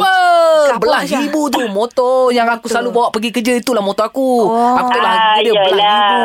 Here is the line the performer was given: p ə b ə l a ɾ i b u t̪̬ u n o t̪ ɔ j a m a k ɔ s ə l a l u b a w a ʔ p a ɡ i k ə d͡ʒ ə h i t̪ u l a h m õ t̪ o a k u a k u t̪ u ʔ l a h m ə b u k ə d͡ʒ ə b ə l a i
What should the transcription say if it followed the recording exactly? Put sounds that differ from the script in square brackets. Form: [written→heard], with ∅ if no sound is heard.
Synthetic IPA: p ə b ə l a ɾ i b u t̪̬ u [n→m] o t̪ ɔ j a [m→ŋ] a k [ɔ→u] s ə l a l u b a w a ʔ p [a→ə] ɡ i k ə d͡ʒ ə [h→∅] i t̪ u l a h m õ t̪ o a k u a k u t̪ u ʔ l a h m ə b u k ə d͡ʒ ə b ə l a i